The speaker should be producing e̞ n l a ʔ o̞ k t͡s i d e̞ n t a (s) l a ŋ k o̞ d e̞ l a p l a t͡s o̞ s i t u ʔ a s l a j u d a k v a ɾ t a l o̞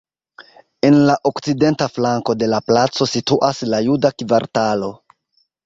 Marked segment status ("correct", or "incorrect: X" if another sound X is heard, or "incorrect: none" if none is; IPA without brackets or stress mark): incorrect: f